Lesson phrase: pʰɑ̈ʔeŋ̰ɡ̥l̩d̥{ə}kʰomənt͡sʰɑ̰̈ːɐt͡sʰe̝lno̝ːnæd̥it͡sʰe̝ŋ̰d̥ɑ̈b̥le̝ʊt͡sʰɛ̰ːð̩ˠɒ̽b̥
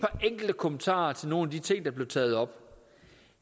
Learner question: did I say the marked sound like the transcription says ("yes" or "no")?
yes